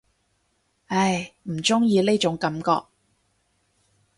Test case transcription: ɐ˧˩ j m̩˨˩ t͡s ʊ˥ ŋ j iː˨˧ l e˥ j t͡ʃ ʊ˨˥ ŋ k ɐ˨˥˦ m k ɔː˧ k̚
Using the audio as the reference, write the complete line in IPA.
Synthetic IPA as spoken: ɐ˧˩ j m̩˨˩ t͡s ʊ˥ ŋ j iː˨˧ l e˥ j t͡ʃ ʊ˨˥ ŋ k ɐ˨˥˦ m k ɔː˧ k̚